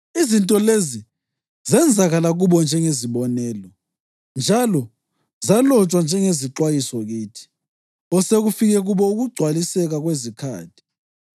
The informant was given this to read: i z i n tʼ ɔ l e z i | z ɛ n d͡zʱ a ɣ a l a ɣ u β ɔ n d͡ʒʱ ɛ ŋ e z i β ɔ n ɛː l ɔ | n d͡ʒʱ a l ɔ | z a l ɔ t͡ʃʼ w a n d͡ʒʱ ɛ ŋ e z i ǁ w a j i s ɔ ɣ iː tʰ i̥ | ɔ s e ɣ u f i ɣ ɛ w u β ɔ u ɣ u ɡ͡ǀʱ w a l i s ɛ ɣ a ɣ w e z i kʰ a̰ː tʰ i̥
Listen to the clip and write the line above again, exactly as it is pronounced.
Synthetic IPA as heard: i z i n tʼ ɔ l e z i | z ɛ n d͡zʱ a ɣ a l a ɣ u β ɔ n d͡ʒʱ ɛ ŋ e z i β ɔ n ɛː l ɔ | n d͡ʒʱ a l ɔ | z a l ɔ t͡ʃʼ w a n d͡ʒʱ ɛ ŋ e z i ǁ w a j i s ɔ ɣ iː tʰ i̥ | ɔ s e ɣ u f i ɣ ɛ ɣ u β ɔ u ɣ u ɡ͡ǀʱ w a l i s ɛ ɣ a ɣ w e z i kʰ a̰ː tʰ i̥